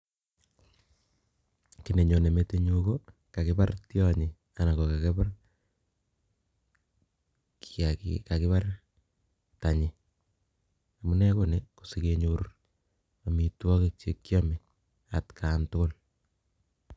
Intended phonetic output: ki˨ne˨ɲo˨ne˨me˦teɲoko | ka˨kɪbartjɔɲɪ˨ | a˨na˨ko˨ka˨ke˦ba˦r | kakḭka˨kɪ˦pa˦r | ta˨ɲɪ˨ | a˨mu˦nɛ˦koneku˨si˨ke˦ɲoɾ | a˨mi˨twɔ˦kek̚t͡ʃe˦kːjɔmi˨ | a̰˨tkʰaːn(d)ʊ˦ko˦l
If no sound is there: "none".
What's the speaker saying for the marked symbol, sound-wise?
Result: t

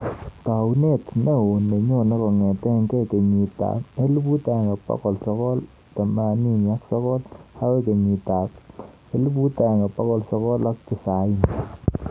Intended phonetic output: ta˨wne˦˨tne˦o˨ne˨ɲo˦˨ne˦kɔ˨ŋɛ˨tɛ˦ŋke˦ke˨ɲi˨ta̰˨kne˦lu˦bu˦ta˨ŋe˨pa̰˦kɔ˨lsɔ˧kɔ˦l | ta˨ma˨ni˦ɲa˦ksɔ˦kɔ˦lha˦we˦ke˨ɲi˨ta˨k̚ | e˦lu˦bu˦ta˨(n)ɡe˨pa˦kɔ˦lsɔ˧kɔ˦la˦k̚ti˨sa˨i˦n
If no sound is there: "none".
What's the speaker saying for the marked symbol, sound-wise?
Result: ŋ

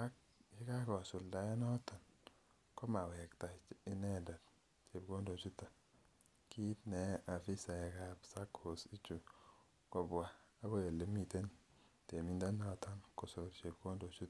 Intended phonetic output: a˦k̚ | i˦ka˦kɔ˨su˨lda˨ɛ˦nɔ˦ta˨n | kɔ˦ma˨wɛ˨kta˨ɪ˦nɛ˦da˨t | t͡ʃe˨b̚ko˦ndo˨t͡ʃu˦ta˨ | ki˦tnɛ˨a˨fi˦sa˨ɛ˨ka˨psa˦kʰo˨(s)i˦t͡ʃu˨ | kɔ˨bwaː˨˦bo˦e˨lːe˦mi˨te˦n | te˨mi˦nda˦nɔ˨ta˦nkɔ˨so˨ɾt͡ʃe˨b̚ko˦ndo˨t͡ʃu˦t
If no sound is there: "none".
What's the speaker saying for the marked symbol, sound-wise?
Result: s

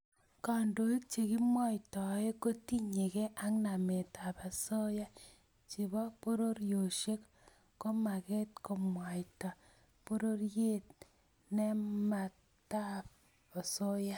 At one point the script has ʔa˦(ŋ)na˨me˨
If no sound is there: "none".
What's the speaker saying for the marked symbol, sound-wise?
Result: ŋ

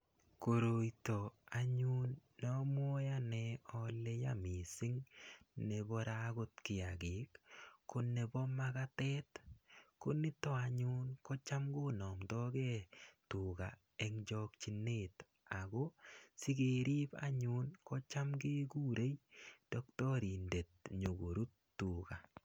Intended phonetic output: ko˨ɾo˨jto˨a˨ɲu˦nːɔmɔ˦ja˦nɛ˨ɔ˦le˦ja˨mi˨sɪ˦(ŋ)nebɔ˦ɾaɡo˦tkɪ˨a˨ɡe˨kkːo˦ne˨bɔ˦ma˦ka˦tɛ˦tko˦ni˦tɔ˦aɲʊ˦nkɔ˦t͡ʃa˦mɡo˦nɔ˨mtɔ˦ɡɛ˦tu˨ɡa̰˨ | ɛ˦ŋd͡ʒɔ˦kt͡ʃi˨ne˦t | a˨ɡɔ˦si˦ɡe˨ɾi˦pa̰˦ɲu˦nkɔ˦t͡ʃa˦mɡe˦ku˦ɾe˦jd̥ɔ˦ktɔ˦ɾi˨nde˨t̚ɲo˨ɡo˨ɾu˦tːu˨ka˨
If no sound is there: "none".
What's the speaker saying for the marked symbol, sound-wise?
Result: ŋ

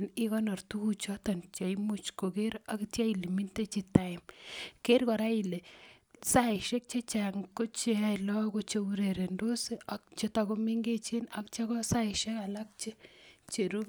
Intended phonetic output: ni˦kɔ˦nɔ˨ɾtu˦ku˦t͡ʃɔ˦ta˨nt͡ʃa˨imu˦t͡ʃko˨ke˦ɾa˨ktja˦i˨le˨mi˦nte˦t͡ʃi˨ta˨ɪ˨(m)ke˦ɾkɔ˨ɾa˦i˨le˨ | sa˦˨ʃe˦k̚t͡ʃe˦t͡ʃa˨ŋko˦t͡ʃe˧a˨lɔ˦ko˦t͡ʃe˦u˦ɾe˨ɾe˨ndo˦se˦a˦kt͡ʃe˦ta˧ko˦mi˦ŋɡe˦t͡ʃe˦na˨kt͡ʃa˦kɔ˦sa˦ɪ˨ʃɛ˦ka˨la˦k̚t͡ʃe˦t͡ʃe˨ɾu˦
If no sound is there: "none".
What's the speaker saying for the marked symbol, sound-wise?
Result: m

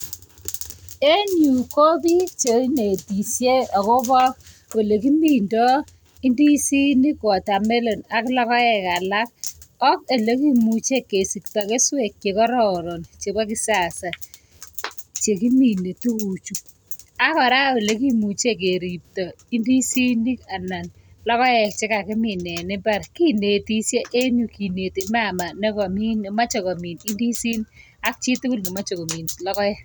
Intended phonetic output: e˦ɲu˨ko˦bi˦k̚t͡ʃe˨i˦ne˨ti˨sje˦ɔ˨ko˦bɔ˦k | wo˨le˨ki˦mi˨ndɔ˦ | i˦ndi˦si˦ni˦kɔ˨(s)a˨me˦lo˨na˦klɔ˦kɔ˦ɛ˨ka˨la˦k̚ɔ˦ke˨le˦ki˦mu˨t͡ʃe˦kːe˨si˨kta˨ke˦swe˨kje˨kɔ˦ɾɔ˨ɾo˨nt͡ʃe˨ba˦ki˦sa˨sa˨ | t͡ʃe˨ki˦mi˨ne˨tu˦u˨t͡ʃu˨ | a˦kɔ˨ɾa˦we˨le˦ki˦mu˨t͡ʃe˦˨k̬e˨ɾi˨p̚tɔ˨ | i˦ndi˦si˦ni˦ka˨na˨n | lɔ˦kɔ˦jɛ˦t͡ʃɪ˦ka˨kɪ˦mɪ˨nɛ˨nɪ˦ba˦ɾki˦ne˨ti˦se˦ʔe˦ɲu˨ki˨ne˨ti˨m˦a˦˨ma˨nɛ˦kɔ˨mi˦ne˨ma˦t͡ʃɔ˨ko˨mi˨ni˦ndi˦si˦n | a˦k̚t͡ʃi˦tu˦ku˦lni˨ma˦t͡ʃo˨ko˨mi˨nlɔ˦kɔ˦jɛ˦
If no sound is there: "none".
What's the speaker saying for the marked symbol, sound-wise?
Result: t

